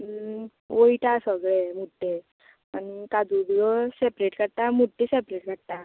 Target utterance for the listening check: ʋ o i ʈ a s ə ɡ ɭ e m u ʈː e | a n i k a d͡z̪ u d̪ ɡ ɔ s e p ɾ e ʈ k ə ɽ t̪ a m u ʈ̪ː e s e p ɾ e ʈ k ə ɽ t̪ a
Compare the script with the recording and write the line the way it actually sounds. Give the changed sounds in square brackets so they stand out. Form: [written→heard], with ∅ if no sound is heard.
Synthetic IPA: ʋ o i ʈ a s ə ɡ ɭ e m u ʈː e | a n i k a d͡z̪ u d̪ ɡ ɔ s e p ɾ e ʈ k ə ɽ t̪ a m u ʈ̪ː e s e p ɾ e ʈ k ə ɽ t̪ a